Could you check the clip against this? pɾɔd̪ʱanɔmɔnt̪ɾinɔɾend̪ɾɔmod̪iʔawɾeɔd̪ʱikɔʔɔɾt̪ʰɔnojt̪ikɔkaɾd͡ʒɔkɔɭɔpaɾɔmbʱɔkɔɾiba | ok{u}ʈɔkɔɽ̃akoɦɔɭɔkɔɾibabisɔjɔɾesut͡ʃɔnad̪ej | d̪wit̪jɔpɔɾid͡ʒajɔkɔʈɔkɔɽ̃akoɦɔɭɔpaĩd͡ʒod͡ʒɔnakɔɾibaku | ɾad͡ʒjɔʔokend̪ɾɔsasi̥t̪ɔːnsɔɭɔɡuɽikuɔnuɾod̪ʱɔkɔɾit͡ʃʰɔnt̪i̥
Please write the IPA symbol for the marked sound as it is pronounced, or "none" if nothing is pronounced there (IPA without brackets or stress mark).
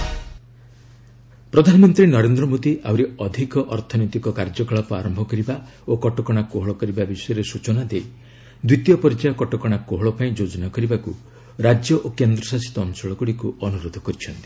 ɔ